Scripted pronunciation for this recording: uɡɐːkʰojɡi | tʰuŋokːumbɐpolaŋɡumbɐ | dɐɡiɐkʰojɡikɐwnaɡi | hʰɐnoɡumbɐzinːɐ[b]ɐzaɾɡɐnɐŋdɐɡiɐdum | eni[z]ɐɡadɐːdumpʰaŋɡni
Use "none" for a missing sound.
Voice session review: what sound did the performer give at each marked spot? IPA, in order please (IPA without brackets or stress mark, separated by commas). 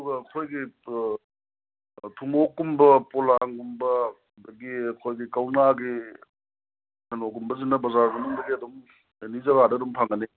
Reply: b, z